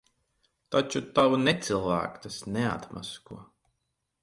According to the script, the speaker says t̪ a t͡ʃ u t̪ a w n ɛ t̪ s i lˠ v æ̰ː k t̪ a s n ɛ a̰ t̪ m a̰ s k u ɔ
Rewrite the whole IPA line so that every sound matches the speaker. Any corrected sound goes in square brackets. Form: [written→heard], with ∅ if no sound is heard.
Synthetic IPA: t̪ a t͡ʃ u t̪ a w n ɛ t̪ s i lˠ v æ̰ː k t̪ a s n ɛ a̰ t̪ m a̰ s k u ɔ